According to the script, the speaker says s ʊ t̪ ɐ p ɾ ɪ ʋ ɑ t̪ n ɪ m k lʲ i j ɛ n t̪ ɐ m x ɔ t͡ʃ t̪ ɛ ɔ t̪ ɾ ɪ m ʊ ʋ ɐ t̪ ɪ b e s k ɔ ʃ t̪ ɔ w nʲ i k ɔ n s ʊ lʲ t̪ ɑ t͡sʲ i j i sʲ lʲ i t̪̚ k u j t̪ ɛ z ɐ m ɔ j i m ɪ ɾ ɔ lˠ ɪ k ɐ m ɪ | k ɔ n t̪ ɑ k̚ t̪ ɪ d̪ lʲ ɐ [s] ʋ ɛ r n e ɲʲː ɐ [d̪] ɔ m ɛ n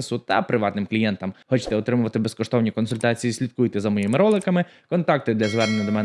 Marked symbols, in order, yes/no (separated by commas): no, yes